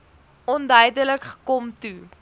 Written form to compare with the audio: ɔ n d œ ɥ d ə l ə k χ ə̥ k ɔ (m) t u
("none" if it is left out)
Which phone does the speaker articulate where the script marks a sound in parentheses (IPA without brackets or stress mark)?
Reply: m